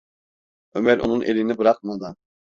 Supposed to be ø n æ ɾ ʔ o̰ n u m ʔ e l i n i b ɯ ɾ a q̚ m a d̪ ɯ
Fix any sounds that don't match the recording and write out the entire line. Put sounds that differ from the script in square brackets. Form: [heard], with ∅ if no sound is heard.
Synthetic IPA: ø [m] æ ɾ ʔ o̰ n u [n] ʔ e l i n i b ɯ ɾ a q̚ m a d̪ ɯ